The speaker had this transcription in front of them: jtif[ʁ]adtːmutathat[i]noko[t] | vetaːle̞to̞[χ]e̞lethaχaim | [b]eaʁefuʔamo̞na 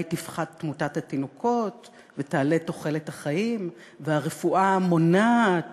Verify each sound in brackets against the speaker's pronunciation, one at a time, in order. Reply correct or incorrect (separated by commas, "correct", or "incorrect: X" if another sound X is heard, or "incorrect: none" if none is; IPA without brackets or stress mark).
incorrect: χ, correct, correct, correct, incorrect: v